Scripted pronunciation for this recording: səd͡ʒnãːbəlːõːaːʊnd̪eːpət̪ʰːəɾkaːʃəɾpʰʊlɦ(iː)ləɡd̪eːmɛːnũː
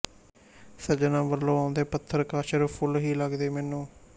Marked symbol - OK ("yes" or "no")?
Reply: yes